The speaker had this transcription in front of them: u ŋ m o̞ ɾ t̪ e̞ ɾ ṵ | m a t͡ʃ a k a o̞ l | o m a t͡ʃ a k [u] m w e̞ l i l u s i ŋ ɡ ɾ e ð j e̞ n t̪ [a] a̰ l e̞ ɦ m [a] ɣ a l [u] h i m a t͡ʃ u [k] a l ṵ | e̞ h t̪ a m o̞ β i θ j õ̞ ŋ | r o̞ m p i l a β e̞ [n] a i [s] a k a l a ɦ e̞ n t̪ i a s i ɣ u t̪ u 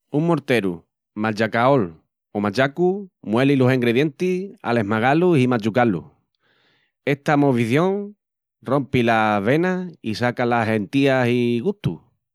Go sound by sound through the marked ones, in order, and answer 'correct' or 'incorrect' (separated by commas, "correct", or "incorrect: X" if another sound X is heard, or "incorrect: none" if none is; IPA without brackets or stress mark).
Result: correct, incorrect: i, correct, correct, correct, correct, correct